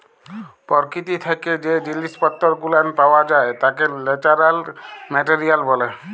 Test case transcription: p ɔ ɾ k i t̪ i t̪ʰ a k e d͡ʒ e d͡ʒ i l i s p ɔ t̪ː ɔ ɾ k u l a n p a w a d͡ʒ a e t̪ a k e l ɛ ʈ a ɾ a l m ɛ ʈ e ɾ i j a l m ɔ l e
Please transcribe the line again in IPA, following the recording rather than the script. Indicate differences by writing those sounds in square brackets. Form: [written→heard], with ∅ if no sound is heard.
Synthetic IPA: p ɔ ɾ k i t̪ i t̪ʰ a k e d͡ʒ e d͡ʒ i l i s p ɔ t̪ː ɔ ɾ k u l a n p a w a d͡ʒ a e t̪ a k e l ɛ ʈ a ɾ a l m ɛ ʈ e ɾ i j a l [m→b] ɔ l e